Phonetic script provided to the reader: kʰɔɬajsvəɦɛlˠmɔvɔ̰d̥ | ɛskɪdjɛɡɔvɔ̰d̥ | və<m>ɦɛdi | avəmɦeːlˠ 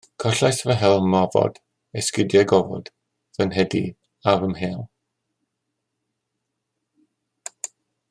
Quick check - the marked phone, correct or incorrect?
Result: incorrect